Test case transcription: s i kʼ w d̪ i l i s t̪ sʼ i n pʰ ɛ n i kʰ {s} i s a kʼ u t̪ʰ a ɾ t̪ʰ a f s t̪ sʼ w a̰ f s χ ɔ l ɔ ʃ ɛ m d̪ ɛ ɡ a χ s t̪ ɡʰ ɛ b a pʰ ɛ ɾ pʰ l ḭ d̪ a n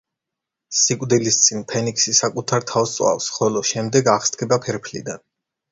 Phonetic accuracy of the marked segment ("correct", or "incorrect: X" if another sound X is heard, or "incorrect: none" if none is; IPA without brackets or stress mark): correct